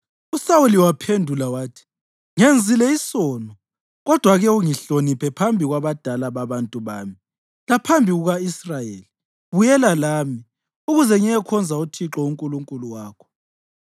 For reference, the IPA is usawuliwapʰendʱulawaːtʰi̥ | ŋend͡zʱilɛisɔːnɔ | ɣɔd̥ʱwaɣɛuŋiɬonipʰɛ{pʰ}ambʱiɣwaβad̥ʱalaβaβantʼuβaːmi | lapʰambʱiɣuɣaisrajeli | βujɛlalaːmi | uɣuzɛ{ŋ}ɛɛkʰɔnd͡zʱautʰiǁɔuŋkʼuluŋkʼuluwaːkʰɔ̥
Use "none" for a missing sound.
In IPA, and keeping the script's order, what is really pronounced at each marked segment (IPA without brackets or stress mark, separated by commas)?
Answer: pʰ, ŋ